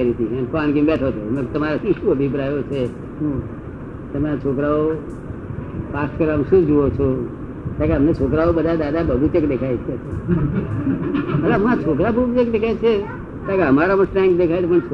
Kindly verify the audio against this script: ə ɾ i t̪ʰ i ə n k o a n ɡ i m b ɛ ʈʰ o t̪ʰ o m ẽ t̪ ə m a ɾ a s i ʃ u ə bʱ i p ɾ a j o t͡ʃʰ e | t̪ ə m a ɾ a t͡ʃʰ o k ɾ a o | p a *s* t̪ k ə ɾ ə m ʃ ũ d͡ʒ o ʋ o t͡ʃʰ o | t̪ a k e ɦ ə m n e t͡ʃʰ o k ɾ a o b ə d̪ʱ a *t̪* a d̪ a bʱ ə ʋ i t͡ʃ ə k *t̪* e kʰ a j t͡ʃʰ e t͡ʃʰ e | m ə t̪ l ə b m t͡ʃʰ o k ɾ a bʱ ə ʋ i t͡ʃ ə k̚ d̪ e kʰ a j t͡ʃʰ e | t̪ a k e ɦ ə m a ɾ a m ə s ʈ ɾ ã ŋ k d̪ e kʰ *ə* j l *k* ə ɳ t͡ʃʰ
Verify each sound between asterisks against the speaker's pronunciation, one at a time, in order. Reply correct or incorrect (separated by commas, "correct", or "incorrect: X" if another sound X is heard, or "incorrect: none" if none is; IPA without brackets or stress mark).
correct, incorrect: d̪, incorrect: d̪, incorrect: a, incorrect: p